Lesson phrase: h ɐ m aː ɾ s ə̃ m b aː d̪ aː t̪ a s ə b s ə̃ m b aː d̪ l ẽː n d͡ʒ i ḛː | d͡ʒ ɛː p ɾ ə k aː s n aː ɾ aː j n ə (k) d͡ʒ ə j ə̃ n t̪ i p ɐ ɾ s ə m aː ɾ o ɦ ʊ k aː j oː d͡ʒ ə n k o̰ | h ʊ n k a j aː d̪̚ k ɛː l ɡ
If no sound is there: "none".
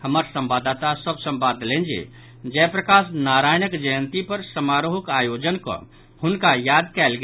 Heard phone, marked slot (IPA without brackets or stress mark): k